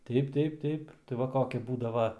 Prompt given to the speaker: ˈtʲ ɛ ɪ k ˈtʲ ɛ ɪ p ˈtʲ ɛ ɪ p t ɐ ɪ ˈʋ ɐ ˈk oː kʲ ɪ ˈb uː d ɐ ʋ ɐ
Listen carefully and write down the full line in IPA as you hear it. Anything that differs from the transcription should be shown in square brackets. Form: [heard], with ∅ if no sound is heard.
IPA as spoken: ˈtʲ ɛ ɪ [p] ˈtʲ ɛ ɪ p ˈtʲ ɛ ɪ p t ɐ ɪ ˈʋ ɐ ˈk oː kʲ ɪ ˈb uː d ɐ ʋ ɐ